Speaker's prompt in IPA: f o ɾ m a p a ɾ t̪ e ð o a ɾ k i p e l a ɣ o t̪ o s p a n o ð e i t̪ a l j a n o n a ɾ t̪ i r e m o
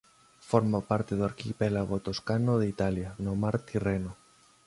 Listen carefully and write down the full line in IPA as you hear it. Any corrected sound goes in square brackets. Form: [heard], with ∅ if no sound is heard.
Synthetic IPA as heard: f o ɾ m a p a ɾ t̪ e ð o a ɾ k i p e l a ɣ o t̪ o s [k] a n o ð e i t̪ a l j a n o [m] a ɾ t̪ i r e [n] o